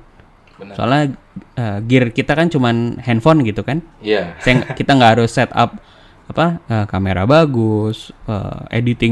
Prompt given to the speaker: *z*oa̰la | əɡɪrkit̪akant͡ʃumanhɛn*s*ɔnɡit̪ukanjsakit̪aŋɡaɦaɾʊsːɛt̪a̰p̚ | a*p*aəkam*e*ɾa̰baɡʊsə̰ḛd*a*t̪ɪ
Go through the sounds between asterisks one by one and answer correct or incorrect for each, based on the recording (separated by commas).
incorrect, incorrect, correct, correct, incorrect